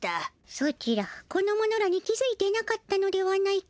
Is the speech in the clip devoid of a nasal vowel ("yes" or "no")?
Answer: yes